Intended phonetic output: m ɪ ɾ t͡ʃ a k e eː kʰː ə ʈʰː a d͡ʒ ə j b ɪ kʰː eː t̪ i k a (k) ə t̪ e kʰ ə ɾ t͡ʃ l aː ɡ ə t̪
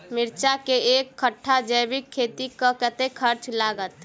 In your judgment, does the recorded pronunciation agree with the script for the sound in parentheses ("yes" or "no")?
yes